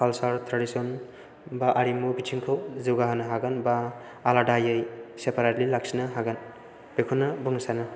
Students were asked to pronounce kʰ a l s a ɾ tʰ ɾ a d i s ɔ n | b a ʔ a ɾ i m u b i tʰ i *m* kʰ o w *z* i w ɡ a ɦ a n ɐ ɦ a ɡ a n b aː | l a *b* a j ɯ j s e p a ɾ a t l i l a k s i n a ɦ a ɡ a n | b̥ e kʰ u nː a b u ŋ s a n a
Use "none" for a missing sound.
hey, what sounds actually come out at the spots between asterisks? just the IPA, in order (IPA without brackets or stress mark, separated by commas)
ŋ, z, d